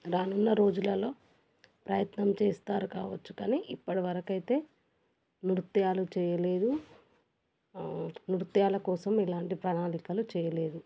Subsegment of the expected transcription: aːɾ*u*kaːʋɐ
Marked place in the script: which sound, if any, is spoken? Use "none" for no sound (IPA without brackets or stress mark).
u